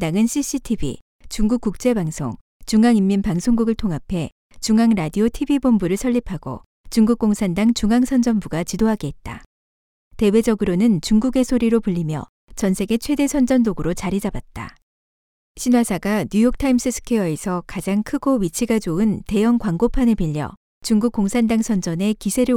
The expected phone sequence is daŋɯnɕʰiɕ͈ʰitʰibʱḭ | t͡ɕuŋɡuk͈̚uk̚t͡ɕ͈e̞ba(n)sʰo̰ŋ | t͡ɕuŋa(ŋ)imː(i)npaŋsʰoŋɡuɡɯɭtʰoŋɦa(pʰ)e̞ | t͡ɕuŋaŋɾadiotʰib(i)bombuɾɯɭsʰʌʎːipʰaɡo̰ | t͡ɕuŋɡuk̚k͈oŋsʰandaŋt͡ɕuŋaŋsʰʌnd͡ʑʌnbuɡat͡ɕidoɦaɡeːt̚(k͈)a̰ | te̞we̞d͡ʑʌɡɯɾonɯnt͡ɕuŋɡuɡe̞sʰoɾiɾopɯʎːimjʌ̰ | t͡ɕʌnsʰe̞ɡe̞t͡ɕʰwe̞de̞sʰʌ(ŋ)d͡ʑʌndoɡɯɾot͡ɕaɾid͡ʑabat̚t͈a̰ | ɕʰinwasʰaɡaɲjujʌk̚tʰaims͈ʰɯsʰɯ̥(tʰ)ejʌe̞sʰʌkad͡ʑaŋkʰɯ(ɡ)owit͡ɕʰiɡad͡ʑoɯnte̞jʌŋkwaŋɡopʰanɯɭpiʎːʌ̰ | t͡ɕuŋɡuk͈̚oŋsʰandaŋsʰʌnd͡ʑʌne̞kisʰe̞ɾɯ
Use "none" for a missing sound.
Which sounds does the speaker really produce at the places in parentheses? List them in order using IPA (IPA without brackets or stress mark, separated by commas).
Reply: ŋ, ŋ, i, pʰ, i, t͈, n, kʰ, ɡ